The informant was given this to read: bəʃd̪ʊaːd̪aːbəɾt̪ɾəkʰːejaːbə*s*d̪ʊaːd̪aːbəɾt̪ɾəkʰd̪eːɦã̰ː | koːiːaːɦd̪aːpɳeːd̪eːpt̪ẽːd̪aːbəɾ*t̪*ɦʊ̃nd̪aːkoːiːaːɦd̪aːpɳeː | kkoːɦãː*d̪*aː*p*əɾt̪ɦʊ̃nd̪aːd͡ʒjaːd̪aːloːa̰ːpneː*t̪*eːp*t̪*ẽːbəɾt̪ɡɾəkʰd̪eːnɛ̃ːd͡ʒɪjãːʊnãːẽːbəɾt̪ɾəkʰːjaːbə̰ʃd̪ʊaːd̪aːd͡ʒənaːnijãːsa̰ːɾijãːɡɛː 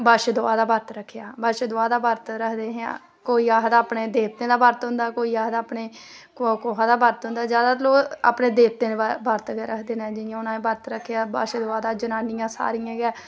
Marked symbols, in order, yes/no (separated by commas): no, yes, yes, no, no, yes